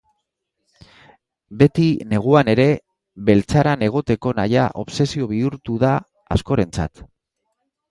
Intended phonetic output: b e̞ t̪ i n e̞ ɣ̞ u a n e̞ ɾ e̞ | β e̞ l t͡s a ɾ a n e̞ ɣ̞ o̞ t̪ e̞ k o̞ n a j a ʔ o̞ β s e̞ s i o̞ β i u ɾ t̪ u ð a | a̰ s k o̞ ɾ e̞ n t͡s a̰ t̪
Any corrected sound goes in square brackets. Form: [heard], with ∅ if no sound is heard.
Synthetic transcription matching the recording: b e̞ t̪ i n e̞ ɣ̞ u a n e̞ ɾ e̞ | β e̞ l t͡s a ɾ a n e̞ ɣ̞ o̞ t̪ e̞ k o̞ n a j a ʔ o̞ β s e̞ s i o̞ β i u ɾ t̪ u ð a | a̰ s k o̞ ɾ e̞ n t͡s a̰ t̪

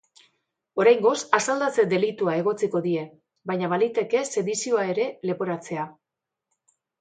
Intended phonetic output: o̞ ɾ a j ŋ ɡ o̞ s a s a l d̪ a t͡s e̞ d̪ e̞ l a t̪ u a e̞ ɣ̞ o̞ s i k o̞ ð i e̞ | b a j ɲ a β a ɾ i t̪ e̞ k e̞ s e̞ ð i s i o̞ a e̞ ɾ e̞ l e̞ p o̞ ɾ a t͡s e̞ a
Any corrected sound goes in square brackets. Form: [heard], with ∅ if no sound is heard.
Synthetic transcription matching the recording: o̞ ɾ a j ŋ ɡ o̞ s a s a l d̪ a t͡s e̞ d̪ e̞ l [i] t̪ u a e̞ ɣ̞ o̞ [t͡s] i k o̞ ð i e̞ | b a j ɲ a β a [l] i t̪ e̞ k e̞ s e̞ ð i s i o̞ a e̞ ɾ e̞ l e̞ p o̞ ɾ a t͡s e̞ a

